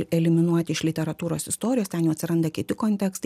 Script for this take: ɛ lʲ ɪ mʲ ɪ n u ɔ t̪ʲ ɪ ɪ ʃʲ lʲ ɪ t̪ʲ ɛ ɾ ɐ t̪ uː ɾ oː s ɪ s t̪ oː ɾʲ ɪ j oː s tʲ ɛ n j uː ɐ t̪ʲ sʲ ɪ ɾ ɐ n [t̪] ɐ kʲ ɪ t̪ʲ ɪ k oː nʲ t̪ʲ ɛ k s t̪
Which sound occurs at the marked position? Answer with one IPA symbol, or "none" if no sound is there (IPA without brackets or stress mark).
d̪